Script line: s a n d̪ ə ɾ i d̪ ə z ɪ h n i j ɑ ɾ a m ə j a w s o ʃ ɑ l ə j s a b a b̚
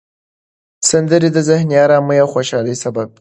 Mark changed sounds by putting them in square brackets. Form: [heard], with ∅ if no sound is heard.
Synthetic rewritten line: s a n d̪ ə ɾ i d̪ ə z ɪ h n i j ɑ ɾ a m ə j a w [x] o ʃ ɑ l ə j s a b a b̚